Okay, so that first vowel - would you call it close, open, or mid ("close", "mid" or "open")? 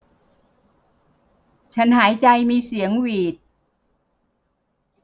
open